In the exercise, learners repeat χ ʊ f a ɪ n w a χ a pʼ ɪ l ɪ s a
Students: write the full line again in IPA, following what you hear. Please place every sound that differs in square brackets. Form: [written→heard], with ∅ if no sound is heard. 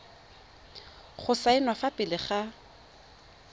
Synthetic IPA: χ ʊ [f→s] a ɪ n w a [χ→f] a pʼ ɪ l ɪ [s→χ] a